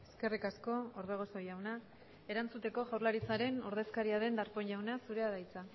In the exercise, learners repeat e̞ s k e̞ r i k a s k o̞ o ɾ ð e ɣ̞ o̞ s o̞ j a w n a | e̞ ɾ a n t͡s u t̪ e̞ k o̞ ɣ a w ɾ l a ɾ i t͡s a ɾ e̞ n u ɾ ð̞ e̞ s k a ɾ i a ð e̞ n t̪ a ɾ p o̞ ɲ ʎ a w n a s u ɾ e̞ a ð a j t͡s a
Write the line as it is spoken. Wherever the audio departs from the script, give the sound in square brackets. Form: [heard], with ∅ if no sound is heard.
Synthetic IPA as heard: e̞ s k e̞ r i k a s k o̞ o ɾ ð e ɣ̞ o̞ s o̞ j a w n a | e̞ ɾ a n t͡s u t̪ e̞ k o̞ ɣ a w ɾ l a ɾ i t͡s a ɾ e̞ n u ɾ ð̞ e̞ s k a ɾ i a ð e̞ n [d̪] a ɾ p o̞ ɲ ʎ a w n a s u ɾ e̞ a ð a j t͡s a